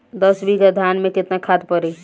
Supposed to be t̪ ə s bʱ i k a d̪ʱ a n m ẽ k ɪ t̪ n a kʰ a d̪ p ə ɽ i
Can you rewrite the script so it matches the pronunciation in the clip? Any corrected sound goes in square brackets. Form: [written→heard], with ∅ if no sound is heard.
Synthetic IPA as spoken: [t̪→d̪] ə s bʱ i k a d̪ʱ a n m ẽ k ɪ t̪ n a kʰ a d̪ p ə [ɽ→ɾ] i